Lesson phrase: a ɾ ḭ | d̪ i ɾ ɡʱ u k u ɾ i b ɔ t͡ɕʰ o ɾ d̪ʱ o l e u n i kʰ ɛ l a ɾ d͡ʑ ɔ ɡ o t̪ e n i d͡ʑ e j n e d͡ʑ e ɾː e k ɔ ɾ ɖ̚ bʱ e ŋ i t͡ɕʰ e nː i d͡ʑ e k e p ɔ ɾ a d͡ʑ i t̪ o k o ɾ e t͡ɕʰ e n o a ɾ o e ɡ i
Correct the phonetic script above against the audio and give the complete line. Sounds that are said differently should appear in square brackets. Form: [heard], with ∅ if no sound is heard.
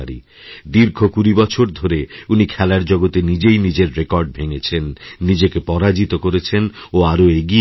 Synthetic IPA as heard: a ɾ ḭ | d̪ i ɾ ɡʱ [o] k u ɾ i b ɔ t͡ɕʰ o ɾ d̪ʱ o [ɾ] e u n i kʰ ɛ l a ɾ d͡ʑ ɔ ɡ o t̪ e n i d͡ʑ e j n [i] d͡ʑ e ɾː e k ɔ ɾ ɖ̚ bʱ e ŋ [e] t͡ɕʰ e nː i d͡ʑ e k e p ɔ ɾ a d͡ʑ i t̪ o k o ɾ e t͡ɕʰ e n o a ɾ o e ɡ i